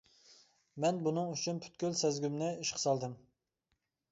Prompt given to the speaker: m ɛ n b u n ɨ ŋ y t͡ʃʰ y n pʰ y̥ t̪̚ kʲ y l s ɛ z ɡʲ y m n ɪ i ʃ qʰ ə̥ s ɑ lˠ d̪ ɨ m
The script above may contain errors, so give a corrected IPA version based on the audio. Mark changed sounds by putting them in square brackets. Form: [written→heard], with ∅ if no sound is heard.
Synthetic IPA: m ɛ n b u n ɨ ŋ y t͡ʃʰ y n pʰ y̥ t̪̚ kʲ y l s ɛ z ɡʲ y m n ɪ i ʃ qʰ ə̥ s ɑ lˠ d̪ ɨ m